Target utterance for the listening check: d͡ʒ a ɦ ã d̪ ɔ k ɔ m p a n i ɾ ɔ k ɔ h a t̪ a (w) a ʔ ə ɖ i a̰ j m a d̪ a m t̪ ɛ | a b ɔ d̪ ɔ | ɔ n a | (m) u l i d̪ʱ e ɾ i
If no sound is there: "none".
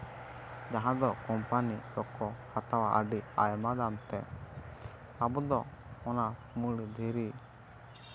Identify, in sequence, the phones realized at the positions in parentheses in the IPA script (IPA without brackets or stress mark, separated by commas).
w, m